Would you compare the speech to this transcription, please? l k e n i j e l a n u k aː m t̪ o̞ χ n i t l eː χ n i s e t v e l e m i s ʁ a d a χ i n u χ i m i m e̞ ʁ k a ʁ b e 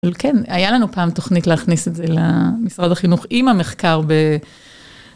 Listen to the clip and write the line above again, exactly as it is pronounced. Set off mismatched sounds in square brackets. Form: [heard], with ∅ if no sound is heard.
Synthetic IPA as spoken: l k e n [a] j [a] l a n u [p] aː m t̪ o̞ χ n i t l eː χ n i s e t [z] e l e m i s ʁ a d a χ i n u χ i m [a] m e̞ [χ] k a ʁ b e